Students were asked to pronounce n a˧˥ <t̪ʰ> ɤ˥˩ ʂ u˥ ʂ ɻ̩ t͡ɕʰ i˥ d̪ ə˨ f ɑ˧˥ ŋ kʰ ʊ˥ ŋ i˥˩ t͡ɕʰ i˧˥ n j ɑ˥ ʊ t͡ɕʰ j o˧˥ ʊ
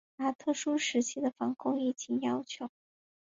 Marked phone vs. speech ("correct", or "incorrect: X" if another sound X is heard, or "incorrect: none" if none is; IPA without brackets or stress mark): correct